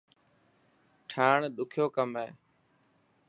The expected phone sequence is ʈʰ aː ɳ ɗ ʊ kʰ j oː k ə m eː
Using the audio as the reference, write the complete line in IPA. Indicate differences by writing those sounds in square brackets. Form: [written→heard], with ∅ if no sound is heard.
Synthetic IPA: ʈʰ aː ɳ ɗ ʊ kʰ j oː k ə m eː